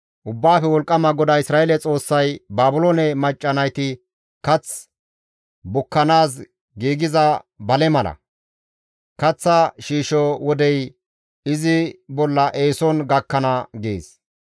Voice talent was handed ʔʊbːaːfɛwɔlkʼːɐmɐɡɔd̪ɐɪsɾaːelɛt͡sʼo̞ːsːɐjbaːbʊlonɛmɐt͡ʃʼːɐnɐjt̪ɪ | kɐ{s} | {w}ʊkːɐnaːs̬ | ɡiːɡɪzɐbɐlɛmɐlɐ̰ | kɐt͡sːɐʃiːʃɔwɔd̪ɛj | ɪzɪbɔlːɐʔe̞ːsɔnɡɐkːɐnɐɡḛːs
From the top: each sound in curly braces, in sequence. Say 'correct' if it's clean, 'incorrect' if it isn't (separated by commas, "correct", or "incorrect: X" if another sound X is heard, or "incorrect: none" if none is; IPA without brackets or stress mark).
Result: incorrect: t͡s, incorrect: b